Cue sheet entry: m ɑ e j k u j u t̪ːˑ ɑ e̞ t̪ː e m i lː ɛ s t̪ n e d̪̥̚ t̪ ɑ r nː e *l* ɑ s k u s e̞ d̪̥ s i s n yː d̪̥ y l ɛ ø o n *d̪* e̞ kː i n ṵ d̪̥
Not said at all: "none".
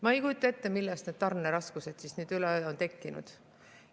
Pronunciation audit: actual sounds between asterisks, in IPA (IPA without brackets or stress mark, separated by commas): ɾ, t̪